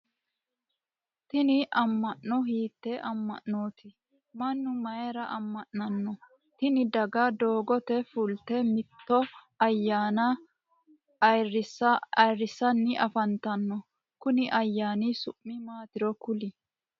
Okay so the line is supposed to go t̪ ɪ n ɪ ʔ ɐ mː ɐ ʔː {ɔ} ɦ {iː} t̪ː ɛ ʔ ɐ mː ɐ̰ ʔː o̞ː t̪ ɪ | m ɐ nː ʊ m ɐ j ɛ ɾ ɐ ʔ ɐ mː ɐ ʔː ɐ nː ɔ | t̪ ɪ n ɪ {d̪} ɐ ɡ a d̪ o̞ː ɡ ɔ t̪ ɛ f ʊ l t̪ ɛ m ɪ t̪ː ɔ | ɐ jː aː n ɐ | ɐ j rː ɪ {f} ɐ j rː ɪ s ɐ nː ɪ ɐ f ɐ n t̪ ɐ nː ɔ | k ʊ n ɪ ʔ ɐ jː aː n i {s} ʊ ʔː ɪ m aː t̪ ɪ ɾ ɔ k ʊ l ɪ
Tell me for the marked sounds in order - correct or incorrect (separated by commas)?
correct, correct, correct, incorrect, correct